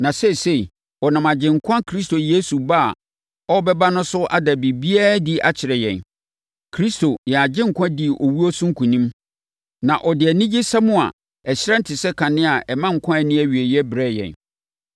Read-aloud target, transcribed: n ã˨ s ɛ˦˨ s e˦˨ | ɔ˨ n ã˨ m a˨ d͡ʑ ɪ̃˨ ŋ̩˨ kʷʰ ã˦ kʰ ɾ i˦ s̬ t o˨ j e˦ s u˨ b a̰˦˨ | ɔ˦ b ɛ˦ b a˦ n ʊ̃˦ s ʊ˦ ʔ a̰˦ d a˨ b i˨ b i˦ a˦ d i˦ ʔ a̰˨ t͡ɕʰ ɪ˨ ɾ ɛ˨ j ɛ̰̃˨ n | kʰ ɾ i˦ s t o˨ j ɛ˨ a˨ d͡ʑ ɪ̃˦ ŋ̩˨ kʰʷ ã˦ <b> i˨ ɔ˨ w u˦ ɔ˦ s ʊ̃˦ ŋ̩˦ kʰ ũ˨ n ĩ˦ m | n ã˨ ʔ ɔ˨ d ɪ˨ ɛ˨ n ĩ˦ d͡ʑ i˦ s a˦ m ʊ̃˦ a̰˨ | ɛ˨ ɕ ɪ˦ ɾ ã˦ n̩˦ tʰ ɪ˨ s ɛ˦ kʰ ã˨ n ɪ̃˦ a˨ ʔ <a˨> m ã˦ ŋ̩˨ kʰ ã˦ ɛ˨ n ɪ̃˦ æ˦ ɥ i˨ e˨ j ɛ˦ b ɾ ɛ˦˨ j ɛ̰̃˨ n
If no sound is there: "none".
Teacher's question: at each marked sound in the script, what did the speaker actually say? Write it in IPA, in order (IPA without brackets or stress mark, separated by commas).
d, ɛ˨